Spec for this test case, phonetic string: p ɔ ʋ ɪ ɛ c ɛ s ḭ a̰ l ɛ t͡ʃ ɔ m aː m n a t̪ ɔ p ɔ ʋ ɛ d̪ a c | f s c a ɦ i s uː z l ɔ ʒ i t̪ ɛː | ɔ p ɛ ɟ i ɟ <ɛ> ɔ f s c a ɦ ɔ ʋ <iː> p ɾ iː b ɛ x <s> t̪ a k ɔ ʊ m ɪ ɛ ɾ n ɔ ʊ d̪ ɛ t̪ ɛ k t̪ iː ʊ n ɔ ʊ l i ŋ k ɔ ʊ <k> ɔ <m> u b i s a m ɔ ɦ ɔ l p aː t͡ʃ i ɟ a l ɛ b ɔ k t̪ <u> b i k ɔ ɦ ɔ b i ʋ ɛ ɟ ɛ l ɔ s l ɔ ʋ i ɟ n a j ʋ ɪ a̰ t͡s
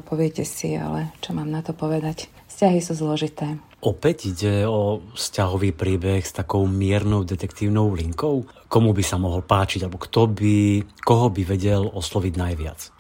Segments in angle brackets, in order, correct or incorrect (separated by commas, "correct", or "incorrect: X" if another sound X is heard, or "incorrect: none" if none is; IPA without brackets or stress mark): correct, correct, correct, correct, correct, incorrect: ɔ